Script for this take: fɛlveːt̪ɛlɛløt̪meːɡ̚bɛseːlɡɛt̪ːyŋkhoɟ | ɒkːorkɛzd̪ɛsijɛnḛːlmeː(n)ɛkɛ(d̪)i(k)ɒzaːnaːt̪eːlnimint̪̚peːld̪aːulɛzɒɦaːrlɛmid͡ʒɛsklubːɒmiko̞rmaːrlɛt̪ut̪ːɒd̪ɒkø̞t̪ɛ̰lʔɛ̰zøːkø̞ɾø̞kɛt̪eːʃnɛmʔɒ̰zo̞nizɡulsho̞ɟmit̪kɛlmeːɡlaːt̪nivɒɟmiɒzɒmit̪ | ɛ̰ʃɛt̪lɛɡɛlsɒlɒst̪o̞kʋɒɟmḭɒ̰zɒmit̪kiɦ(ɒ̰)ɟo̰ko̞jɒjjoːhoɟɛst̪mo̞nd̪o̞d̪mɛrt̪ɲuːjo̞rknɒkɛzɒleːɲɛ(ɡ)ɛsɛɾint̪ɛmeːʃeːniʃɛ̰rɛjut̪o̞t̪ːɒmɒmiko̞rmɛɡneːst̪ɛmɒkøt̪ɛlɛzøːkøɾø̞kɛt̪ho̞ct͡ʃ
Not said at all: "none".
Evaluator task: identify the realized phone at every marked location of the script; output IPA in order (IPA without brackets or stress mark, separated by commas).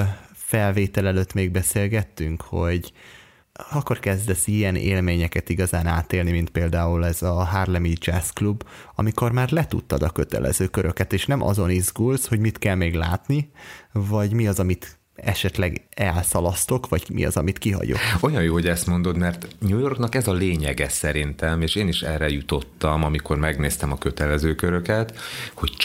ɲ, t̪, ɡ, ɒ̰, ɡ